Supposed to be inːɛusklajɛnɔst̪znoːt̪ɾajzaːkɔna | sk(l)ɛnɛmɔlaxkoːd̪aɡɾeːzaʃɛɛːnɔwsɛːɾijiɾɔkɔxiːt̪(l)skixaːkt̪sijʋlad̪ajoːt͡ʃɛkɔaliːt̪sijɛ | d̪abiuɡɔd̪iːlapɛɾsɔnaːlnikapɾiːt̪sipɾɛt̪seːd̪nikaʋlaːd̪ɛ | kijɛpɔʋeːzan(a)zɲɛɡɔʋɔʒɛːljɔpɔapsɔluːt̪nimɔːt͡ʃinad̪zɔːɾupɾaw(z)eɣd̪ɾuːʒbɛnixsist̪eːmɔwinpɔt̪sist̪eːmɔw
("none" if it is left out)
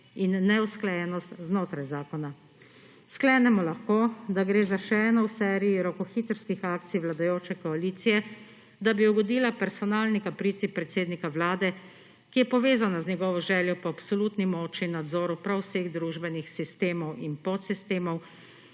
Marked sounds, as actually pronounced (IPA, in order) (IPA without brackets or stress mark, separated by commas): l, ɾ, a, s